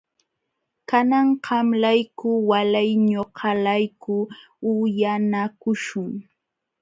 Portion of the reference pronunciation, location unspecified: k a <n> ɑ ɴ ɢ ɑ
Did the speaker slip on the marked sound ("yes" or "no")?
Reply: no